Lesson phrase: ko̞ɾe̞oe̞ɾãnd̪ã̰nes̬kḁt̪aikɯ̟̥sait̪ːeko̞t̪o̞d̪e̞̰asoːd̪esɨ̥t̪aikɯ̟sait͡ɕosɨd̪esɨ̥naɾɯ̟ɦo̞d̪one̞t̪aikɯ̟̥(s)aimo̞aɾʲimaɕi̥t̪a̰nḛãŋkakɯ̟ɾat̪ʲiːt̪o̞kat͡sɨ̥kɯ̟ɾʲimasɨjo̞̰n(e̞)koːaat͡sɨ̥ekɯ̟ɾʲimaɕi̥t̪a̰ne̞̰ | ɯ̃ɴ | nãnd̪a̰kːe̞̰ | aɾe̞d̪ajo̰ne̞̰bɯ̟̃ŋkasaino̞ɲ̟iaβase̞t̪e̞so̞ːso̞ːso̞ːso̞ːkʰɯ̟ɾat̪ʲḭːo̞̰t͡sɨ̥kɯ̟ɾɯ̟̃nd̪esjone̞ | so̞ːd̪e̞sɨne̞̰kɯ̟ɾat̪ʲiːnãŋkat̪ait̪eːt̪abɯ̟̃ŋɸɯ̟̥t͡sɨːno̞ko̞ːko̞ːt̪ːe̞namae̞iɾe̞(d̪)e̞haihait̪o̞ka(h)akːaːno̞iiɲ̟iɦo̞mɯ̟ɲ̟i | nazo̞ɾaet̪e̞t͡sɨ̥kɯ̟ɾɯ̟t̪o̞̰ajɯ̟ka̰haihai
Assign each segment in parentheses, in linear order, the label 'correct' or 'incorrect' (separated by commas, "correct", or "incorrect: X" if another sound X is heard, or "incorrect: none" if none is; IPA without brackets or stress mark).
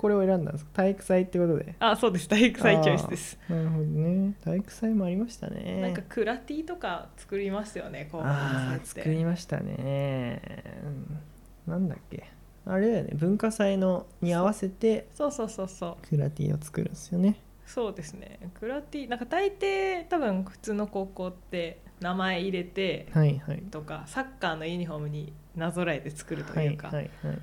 correct, correct, incorrect: t̪, incorrect: s